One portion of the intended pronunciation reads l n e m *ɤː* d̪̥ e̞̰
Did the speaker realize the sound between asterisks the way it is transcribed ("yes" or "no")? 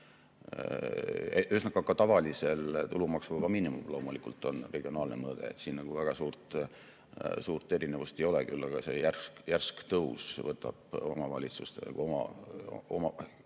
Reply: yes